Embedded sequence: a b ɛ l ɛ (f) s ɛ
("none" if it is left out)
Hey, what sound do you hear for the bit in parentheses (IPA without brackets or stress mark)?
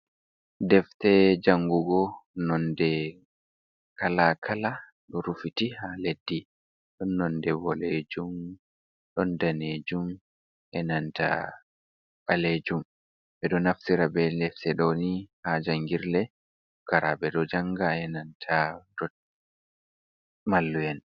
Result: f